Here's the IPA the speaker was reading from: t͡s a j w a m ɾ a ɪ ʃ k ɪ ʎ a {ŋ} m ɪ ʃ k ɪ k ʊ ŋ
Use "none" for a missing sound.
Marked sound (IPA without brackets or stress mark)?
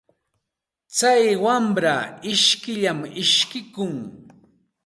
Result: none